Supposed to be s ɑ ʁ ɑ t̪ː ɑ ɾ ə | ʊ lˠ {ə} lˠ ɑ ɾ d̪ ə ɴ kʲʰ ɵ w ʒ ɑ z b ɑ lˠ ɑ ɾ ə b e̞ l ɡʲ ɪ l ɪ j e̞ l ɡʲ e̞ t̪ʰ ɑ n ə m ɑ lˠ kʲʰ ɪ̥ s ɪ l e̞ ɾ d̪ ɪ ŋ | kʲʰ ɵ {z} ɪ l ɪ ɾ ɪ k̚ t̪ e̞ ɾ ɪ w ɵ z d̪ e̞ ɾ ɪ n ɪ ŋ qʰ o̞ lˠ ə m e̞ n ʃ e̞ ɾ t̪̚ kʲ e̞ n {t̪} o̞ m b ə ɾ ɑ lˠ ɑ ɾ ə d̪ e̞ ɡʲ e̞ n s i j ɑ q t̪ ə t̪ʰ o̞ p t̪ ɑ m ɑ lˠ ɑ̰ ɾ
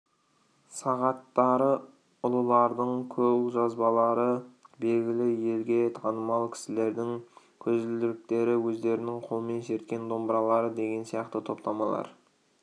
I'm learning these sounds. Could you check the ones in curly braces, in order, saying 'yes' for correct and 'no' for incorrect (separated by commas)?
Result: yes, yes, no